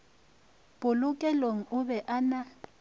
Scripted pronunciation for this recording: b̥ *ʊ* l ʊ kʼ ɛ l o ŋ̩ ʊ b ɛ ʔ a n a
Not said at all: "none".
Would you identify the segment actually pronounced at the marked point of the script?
ʊ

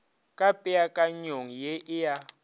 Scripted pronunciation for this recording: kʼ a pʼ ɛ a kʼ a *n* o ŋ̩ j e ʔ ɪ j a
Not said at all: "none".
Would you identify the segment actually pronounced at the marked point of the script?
ɲ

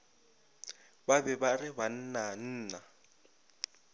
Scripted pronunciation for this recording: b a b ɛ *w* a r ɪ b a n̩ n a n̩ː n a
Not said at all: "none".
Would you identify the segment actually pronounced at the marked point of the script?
b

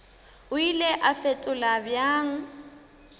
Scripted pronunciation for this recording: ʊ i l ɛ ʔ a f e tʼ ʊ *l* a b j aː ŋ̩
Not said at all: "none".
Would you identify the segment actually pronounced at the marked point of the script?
l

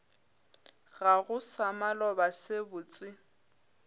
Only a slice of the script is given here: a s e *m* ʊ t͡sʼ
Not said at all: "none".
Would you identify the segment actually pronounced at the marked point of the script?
b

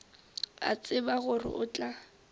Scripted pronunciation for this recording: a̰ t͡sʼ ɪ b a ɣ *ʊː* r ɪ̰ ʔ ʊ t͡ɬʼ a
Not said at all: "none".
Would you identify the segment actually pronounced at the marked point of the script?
ʊ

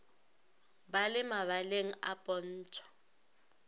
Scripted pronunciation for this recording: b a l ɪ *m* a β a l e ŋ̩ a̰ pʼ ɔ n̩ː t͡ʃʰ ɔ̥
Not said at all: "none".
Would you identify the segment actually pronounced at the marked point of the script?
m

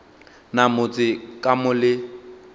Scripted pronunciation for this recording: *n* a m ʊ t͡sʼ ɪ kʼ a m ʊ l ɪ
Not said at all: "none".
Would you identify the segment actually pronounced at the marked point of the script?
n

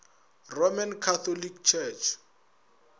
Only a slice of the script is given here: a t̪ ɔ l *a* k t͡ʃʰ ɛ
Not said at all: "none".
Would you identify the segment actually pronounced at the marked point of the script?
i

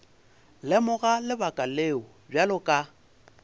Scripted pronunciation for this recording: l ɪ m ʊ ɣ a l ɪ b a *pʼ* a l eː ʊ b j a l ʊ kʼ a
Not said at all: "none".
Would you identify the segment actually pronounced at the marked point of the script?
kʼ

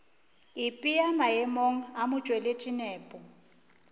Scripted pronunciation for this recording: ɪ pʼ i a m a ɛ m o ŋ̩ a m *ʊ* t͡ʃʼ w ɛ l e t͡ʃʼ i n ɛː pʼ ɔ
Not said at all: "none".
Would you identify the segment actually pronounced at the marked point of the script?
ʊ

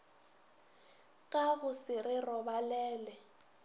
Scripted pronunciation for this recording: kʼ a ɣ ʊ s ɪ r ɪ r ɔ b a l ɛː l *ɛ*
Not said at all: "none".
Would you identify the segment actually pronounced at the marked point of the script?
ɛ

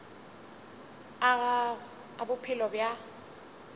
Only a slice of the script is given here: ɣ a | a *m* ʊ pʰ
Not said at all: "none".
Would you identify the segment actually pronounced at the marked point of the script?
b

